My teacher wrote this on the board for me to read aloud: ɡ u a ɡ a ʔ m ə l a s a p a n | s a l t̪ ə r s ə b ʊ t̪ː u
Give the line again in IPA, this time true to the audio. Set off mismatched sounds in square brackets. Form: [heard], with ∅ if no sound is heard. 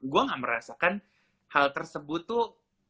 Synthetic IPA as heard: ɡ u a [ŋ] a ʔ m ə [ɾ] a s a [k] a n | [h] a l t̪ ə r s ə b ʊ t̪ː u

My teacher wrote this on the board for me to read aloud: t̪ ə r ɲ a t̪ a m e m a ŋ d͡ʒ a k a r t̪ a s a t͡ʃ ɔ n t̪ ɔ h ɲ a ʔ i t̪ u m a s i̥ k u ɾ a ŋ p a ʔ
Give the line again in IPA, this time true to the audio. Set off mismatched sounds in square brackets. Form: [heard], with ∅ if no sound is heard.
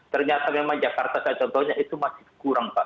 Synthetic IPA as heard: t̪ ə r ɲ a t̪ a m e m a ŋ d͡ʒ a k a r t̪ a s a t͡ʃ ɔ n t̪ ɔ h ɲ a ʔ i t̪ u m a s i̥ k u ɾ a ŋ p a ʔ

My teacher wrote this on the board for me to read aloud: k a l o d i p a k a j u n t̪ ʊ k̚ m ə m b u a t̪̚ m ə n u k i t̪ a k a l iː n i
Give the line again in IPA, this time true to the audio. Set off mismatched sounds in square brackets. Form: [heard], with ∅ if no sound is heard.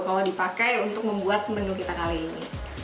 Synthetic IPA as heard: k a l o d i p a k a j u n t̪ ʊ k̚ m ə m b u a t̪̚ m ə n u k i t̪ a k a l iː n i

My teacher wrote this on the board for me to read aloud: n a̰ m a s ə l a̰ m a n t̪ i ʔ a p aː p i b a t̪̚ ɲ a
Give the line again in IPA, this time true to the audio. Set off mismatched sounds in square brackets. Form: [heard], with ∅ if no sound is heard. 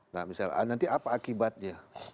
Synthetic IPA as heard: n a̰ m [i] s [a] l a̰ [n] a n t̪ i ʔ a p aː [k] i b a t̪̚ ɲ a

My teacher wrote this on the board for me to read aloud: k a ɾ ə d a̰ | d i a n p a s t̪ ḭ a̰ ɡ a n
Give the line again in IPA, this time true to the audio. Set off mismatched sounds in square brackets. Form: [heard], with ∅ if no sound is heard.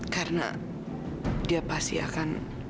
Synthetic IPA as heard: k a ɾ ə [n] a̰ | d i a [∅] p a s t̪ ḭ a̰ [k] a n

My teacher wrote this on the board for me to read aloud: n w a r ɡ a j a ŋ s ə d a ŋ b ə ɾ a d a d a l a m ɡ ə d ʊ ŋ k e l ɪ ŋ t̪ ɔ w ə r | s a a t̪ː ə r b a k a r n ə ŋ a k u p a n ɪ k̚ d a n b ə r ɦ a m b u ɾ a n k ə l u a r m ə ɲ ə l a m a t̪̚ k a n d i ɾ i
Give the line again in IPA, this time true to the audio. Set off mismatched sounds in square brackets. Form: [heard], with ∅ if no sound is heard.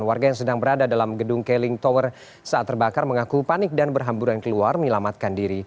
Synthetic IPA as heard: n w a r ɡ a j a ŋ s ə d a ŋ b ə ɾ a d a d a l a m ɡ ə d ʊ ŋ k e l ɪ ŋ t̪ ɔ w ə r | s a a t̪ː ə r b a k a r [m] ə ŋ a k u p a n ɪ k̚ d a n b ə r ɦ a m b u ɾ a n k ə l u a r m ə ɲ ə l a m a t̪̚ k a n d i ɾ i

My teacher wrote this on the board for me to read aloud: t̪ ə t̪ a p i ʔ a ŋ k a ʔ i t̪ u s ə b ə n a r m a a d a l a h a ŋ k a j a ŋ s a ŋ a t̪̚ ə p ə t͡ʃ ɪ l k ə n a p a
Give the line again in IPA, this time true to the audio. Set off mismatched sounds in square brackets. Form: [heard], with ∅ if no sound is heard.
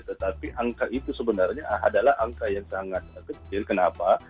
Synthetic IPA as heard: t̪ ə t̪ a p i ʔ a ŋ k a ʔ i t̪ u s ə b ə n a r [ɲ] a a d a l a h a ŋ k a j a ŋ s a ŋ a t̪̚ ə [k] ə t͡ʃ ɪ l k ə n a p a

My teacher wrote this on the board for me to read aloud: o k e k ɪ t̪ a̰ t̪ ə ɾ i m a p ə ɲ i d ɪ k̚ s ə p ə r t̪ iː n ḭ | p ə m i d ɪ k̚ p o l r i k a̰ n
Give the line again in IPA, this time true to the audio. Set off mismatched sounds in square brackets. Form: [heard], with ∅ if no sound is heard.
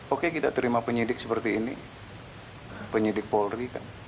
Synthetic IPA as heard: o k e k [i] t̪ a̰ t̪ ə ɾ i m a p ə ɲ i d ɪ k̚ s ə p ə r t̪ iː n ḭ | p ə [ɲ] i d ɪ k̚ p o l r i k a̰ n

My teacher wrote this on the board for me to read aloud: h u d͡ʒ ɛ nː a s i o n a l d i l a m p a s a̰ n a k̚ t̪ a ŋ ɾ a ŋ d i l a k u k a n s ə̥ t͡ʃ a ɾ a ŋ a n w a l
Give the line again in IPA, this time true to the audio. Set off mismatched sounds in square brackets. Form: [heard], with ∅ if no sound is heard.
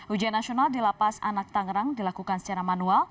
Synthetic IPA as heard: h u d͡ʒ [a] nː a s i o n a l d i l a [∅] p a s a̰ n a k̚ t̪ a ŋ ɾ a ŋ d i l a k u k a n s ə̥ t͡ʃ a ɾ a [m] a n [u] a l

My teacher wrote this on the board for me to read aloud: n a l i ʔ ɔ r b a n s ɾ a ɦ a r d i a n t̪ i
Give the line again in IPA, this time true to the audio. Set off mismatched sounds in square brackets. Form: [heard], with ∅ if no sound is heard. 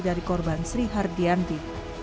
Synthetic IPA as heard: [d] a [ɾ] i [k] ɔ r b a n s ɾ [i] ɦ a r d i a n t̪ i

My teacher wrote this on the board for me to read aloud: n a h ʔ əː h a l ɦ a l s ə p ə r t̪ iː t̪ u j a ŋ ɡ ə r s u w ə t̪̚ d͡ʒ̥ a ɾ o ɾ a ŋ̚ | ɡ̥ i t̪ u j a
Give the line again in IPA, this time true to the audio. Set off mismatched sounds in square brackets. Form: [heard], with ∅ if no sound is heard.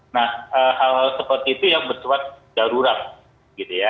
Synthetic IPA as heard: n a h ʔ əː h a l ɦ a l s ə p ə r t̪ iː t̪ u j a ŋ [b] ə r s u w [a] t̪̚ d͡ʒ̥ a ɾ [u] ɾ a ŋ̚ | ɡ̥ i t̪ u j a

